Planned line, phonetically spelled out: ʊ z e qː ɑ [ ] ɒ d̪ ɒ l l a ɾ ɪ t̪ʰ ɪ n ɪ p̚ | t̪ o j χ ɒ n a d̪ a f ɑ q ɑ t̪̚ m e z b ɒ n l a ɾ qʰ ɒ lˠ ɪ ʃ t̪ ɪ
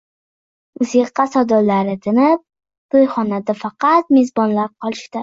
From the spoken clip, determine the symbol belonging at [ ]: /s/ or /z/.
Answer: s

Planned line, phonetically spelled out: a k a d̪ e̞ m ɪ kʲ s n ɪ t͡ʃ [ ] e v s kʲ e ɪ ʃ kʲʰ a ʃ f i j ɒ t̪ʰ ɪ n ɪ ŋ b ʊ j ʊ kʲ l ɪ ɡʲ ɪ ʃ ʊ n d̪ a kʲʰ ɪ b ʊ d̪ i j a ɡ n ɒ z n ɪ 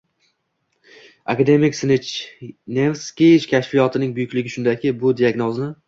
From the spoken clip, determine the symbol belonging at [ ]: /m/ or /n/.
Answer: n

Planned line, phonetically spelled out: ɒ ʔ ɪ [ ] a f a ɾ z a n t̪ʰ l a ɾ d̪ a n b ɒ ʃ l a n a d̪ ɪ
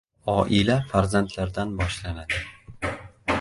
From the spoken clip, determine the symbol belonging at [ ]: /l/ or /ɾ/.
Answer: l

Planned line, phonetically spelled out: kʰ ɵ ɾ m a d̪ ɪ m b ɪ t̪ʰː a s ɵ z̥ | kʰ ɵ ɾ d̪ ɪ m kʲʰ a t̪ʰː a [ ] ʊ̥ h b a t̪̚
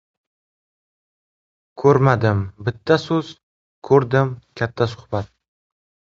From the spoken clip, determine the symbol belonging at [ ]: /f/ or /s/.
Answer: s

